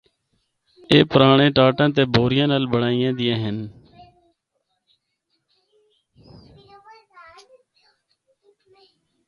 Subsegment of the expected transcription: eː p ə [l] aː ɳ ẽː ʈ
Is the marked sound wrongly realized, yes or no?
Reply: yes